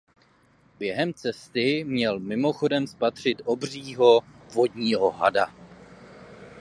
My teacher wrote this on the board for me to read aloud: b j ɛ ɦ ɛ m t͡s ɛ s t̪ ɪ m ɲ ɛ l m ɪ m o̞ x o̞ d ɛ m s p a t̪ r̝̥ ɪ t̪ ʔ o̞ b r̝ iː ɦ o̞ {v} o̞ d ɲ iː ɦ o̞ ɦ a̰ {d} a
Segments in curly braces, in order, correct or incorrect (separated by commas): correct, correct